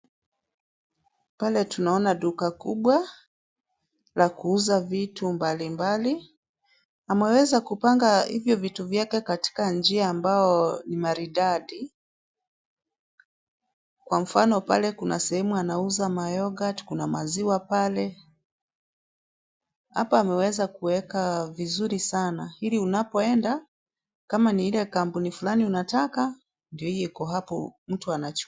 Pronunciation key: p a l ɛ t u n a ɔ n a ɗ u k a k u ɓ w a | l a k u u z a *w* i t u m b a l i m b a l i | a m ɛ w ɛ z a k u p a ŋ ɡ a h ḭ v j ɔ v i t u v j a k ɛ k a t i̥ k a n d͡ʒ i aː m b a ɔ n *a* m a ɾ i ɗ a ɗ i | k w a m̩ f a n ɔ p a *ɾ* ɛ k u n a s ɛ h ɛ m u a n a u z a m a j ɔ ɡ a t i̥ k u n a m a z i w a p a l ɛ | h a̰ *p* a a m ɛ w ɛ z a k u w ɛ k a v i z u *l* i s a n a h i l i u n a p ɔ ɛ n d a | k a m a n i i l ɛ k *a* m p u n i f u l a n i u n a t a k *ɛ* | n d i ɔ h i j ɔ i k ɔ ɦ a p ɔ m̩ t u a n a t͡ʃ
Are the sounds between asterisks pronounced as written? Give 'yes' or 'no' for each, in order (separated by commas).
no, no, no, yes, no, yes, no